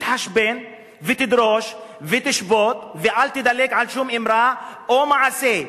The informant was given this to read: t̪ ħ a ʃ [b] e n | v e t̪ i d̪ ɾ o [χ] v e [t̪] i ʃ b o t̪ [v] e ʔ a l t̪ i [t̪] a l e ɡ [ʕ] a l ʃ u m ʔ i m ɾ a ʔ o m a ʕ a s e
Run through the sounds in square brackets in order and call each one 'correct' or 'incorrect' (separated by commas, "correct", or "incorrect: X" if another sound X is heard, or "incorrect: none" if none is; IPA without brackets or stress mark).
correct, incorrect: ʃ, correct, correct, incorrect: d̪, correct